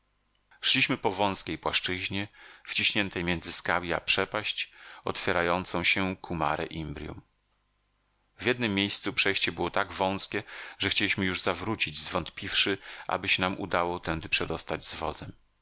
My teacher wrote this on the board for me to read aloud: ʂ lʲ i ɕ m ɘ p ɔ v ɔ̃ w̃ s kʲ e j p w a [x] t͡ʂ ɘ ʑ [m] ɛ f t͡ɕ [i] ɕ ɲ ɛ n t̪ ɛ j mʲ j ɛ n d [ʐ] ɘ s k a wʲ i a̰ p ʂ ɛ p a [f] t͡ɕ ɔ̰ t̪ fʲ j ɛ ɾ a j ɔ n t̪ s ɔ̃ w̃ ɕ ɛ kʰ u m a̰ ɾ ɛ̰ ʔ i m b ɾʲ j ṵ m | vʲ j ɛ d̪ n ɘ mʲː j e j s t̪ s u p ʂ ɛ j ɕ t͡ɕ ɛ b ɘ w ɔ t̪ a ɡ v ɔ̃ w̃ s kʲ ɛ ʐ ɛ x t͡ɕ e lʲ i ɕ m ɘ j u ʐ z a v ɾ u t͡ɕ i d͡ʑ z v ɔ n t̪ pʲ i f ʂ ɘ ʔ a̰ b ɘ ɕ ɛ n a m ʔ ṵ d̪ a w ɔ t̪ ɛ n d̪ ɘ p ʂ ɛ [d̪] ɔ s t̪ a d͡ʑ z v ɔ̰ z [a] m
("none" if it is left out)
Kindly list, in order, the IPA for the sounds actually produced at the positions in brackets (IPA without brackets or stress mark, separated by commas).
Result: ʂ, ɲ, i, z, ɕ, d̪, ɛ